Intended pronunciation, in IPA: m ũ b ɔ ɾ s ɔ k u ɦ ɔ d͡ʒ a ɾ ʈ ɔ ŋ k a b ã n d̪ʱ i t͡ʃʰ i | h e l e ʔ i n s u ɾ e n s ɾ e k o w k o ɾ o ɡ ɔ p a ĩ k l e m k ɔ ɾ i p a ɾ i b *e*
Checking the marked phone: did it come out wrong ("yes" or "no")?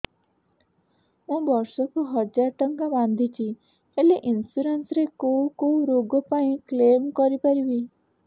yes